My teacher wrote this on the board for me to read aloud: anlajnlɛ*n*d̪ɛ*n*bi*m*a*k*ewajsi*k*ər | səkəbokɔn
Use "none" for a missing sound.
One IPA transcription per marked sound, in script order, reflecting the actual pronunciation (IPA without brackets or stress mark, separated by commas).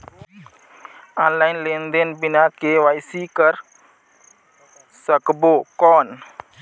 n, n, n, k, k